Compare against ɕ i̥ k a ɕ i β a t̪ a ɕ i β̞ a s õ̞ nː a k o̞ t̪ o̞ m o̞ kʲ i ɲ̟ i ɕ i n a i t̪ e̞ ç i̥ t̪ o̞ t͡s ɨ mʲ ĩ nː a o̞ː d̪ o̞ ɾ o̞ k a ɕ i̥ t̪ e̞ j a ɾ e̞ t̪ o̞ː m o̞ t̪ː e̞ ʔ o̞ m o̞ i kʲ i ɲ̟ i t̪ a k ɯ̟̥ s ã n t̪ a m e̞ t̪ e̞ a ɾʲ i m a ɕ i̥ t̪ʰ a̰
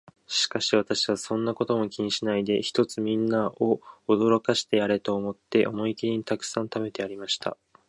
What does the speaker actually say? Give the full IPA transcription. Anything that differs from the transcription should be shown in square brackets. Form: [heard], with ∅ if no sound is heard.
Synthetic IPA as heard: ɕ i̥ k a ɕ i β a t̪ a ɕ i β̞ a s õ̞ nː a k o̞ t̪ o̞ m o̞ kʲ i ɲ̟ i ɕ i n a i [d̪] e̞ ç i̥ t̪ o̞ t͡s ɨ mʲ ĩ nː a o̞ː d̪ o̞ ɾ o̞ k a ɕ i̥ t̪ e̞ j a ɾ e̞ t̪ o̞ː m o̞ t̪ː e̞ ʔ o̞ m o̞ i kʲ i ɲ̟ i t̪ a k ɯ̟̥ s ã n t̪ a m e̞ t̪ e̞ a ɾʲ i m a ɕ i̥ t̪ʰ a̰